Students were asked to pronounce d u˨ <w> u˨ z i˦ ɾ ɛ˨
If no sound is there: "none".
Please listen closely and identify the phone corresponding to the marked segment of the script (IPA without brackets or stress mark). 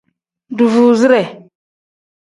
v